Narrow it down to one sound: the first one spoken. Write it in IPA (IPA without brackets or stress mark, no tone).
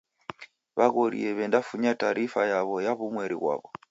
β